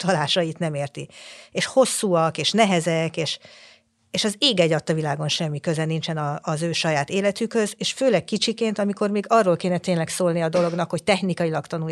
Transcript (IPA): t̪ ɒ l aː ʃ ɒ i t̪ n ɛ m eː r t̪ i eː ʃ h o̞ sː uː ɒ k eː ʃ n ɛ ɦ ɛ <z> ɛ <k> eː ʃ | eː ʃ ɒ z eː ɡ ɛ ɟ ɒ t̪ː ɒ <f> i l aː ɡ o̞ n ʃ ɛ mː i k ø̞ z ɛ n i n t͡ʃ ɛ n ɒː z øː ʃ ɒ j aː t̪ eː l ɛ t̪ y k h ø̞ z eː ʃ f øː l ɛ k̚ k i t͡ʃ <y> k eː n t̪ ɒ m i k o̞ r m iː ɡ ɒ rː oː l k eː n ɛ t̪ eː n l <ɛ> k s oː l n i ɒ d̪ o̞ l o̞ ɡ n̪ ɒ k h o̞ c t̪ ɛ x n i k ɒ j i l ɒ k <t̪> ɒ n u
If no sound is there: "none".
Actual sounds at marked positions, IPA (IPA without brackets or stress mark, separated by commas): z, k, v, i, ɛ, t̪